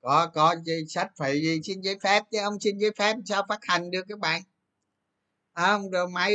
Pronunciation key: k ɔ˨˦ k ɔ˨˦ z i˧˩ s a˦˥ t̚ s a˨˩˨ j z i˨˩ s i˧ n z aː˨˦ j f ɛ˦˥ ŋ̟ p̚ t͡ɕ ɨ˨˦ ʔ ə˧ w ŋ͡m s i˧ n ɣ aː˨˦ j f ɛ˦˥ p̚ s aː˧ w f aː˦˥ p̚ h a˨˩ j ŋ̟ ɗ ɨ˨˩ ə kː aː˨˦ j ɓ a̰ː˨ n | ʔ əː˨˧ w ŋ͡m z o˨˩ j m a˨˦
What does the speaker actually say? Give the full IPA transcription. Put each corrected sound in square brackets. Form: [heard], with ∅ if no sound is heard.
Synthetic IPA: k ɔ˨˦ k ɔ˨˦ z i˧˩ s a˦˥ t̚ [f] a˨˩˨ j z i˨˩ s i˧ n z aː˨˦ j f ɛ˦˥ [∅] p̚ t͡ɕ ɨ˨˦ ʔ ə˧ w ŋ͡m s i˧ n [z] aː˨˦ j f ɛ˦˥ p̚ s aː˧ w f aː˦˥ [t̚] h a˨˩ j ŋ̟ ɗ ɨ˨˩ ə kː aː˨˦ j ɓ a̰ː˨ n | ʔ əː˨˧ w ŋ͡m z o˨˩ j m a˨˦